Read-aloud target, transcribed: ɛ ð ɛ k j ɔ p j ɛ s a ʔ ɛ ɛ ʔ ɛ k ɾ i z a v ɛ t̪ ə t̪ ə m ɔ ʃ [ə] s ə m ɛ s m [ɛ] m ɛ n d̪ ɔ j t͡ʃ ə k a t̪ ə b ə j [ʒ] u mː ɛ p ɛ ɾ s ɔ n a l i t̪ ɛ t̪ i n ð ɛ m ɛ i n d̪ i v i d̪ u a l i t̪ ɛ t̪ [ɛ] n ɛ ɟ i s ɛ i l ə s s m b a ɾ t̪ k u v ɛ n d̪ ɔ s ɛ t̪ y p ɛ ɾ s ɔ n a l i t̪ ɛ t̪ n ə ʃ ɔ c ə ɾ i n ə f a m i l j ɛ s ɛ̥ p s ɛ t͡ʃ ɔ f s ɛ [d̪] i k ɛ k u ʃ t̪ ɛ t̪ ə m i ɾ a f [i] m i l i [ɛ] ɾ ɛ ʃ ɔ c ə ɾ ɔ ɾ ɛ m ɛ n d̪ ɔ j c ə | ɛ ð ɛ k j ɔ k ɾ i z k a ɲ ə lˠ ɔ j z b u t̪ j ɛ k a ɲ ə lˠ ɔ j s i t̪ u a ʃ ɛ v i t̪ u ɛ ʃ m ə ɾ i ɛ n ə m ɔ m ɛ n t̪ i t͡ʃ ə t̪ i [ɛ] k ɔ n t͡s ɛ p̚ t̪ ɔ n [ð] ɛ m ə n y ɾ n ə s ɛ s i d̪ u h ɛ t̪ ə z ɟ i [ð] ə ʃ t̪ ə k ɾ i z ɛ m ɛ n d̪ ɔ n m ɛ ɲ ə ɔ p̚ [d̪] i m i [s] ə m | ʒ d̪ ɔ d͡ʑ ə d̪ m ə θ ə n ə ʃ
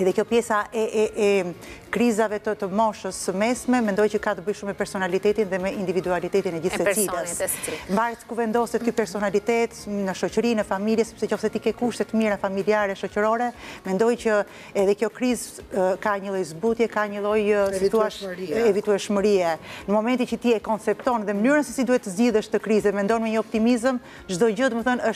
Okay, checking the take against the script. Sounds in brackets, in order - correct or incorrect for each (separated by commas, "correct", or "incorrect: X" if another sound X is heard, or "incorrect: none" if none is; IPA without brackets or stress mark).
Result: correct, correct, incorrect: ʃ, incorrect: i, incorrect: t̪, incorrect: a, incorrect: a, correct, correct, correct, incorrect: t̪, incorrect: z